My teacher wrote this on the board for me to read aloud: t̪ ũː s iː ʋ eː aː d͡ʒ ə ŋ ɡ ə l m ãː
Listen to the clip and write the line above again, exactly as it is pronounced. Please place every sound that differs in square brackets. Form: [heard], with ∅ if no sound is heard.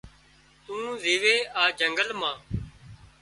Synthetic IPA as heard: t̪ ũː [z] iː ʋ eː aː d͡ʒ ə ŋ ɡ ə l m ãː